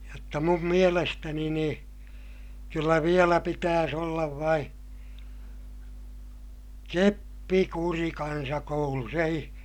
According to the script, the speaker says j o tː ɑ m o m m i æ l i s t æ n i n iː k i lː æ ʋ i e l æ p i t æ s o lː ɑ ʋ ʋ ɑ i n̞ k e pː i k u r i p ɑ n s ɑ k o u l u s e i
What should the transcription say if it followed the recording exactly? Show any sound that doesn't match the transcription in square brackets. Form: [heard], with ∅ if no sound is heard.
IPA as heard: j o tː ɑ m [u] m m i [e] l [e] s t æ n i n iː k [y] lː æ ʋ i e l æ p i t [æː] s o lː ɑ ʋ ʋ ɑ i n̞ k e pː i k u r i [k] ɑ n s ɑ k o u l u s e i